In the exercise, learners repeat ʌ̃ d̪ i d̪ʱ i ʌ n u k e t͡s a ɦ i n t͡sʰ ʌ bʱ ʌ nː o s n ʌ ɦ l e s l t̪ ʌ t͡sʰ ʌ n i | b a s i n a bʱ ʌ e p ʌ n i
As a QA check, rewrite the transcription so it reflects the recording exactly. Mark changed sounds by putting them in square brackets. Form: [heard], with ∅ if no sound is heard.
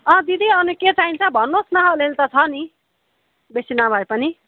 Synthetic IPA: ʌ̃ d̪ i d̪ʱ i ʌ n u k e t͡s a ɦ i n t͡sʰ ʌ bʱ ʌ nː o s n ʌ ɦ l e [∅] l t̪ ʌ t͡sʰ ʌ n i | b [e] s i n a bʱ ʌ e p ʌ n i